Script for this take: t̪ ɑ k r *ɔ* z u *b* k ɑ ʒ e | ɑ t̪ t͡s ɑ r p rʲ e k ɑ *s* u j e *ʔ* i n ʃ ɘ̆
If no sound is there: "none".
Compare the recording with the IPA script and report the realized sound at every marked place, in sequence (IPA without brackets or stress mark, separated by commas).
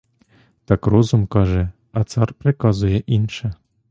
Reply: o, m, z, ʔ